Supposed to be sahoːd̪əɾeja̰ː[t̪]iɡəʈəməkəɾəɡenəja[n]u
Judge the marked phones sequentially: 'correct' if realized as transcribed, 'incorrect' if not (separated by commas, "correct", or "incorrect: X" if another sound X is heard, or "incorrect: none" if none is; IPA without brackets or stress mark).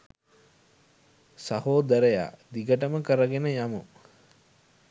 incorrect: d̪, incorrect: m